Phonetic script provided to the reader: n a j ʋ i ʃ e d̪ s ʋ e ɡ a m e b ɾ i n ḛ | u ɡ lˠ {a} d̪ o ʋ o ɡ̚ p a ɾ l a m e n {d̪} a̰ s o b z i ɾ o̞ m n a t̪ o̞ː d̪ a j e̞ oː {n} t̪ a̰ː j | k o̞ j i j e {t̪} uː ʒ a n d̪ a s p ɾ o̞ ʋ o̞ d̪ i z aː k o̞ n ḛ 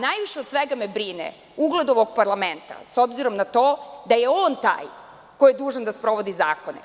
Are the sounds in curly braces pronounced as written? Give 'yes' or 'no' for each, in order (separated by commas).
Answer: no, no, yes, no